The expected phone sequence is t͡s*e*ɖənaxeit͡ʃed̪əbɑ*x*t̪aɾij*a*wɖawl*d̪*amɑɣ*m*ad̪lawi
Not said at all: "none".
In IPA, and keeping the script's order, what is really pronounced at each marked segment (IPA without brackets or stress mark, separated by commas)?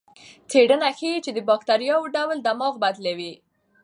e, k, ɑ, d̪, b